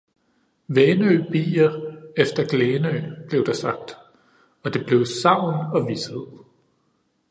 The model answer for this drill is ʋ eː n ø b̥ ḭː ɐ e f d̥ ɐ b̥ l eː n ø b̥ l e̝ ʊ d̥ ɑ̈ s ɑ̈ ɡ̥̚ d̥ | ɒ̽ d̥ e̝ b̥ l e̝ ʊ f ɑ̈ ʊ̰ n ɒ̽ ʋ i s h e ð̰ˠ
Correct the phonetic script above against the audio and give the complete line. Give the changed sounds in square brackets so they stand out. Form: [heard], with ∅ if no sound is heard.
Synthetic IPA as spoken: ʋ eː n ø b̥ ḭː ɐ e f d̥ ɐ [ɡ̥] l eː n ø b̥ l e̝ ʊ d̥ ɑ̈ s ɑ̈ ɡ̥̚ d̥ | ɒ̽ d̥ e̝ b̥ l e̝ ʊ [s] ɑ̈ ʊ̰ n ɒ̽ ʋ i s h e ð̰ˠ